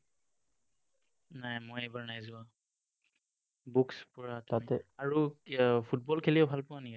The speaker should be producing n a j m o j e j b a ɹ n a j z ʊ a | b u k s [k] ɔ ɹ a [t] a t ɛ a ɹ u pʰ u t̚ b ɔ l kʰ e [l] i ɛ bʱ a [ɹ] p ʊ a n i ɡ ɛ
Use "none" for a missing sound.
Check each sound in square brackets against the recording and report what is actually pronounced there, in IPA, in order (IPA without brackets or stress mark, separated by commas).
p, t, l, l